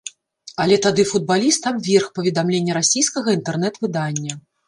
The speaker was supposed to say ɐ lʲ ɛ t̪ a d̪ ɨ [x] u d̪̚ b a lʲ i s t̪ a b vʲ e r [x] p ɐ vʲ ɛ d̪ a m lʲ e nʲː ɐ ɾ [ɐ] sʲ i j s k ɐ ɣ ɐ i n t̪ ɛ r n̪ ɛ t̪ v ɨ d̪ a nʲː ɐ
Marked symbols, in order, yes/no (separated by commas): no, yes, no